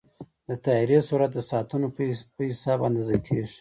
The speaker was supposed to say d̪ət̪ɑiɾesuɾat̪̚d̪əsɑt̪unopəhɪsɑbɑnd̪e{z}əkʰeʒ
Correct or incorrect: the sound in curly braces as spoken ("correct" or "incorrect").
correct